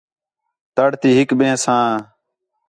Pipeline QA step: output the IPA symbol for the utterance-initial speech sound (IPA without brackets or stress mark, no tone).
t̪